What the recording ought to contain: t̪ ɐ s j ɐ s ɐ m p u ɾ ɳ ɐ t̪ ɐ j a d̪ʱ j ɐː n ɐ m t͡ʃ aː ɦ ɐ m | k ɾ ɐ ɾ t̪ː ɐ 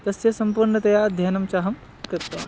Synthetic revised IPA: t̪ ɐ s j ɐ s ɐ m p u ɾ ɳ ɐ t̪ ɐ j a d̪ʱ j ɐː n ɐ m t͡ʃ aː ɦ ɐ m | k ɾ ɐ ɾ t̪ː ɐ